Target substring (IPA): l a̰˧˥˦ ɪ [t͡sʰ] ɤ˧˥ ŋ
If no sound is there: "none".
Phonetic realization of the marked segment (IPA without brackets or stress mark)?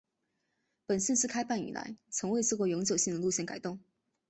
t͡sʰ